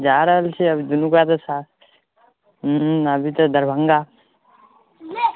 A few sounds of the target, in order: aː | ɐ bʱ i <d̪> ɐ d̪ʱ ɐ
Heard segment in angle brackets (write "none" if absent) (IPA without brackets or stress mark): t̪